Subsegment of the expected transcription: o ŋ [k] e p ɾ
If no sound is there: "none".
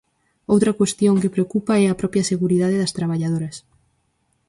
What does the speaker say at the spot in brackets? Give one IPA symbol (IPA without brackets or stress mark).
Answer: k